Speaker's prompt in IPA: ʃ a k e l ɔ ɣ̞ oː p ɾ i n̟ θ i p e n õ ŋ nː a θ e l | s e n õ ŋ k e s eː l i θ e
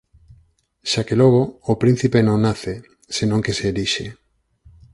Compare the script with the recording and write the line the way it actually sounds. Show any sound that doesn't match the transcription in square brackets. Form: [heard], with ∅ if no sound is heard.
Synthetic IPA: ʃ a k e l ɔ ɣ̞ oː p ɾ i n̟ θ i p e n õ ŋ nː a θ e [∅] | s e n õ ŋ k e s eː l i [ʃ] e